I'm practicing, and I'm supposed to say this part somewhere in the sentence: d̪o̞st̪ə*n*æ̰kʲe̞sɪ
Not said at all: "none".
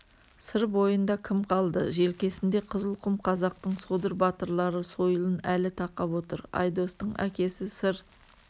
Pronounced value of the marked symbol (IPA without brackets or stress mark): ɴ